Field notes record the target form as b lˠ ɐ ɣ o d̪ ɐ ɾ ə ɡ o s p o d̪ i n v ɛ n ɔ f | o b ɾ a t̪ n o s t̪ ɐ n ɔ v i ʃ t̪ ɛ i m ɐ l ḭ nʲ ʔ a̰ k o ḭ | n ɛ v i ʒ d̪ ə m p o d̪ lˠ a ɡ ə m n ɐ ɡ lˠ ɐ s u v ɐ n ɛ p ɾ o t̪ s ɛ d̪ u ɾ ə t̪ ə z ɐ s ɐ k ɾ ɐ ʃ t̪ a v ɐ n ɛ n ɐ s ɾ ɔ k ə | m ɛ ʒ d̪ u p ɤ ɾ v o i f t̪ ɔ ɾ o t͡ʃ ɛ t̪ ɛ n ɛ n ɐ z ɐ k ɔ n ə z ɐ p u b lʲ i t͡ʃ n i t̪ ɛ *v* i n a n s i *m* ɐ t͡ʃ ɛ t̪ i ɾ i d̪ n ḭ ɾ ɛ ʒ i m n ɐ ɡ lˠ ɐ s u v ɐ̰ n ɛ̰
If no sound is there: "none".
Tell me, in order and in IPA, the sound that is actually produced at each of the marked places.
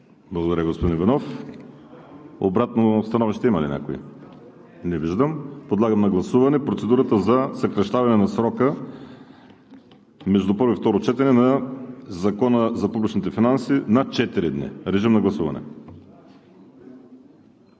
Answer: f, n

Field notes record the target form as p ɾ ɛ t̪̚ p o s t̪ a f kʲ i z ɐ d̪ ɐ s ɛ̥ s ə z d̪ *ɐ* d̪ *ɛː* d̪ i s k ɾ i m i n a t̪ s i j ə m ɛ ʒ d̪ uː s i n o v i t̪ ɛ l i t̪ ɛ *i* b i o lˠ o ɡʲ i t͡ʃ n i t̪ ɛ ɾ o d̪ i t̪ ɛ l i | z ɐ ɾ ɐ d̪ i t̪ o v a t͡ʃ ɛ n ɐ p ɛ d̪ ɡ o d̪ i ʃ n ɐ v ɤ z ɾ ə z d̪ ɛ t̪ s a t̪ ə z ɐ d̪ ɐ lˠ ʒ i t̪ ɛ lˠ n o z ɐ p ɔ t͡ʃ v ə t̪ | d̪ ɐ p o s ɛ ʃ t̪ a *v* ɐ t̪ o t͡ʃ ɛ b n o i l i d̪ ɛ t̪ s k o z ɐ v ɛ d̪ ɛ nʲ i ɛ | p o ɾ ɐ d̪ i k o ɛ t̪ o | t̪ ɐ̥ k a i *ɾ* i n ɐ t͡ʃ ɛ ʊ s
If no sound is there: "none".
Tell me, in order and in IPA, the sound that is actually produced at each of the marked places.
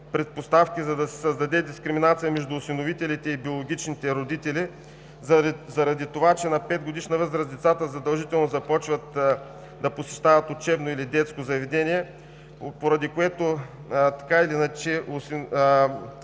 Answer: ɐ, ɛ, i, v, l

